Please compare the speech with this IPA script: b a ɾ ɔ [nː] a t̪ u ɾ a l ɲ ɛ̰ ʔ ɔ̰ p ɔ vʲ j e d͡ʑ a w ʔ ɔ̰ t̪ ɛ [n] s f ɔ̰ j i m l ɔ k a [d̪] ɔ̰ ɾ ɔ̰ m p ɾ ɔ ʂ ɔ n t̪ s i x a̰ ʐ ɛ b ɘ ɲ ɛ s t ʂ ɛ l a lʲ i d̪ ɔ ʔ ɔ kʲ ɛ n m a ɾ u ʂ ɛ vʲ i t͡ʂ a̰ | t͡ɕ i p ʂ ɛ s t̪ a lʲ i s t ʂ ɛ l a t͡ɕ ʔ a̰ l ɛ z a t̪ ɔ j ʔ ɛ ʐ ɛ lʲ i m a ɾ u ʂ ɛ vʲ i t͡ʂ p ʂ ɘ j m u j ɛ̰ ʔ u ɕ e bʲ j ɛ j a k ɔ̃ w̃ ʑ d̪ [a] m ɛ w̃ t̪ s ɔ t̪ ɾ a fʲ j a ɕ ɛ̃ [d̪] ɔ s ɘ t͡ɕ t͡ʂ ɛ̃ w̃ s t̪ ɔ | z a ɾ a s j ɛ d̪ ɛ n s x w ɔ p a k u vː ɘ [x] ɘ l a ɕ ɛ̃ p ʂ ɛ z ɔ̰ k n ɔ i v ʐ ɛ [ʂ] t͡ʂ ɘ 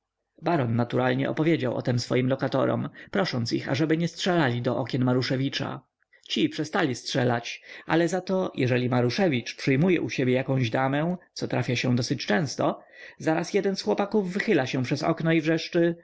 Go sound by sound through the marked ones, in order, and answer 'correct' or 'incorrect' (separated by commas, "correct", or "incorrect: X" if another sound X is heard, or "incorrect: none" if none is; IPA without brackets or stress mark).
correct, incorrect: m, incorrect: t̪, correct, correct, correct, correct